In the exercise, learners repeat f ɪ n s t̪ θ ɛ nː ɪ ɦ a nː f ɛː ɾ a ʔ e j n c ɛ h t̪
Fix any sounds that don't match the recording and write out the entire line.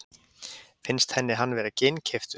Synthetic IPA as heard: f ɪ n s t̪ h ɛ nː ɪ ɦ a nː v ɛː ɾ a c e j n cʰ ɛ f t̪